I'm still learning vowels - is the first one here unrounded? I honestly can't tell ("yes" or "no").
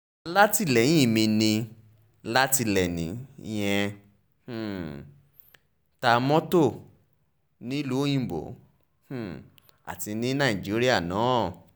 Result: yes